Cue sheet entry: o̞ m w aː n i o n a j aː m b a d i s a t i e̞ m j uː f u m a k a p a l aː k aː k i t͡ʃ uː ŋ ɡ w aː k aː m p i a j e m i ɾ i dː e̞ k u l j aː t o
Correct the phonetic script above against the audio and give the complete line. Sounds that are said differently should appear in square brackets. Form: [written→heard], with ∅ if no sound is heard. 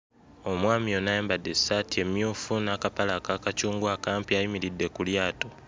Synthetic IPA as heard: o̞ m w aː [n→m] i o n a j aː m b a d [i→e] s a t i e̞ m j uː f u [m→n] a k a p a l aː k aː k [i→a] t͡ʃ uː ŋ ɡ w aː k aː m p i a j [e→i] m i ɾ i dː e̞ k u l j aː t o